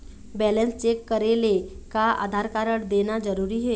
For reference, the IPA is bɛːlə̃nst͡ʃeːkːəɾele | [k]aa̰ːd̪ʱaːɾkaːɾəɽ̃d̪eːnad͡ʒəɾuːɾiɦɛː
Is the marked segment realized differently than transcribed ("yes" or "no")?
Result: no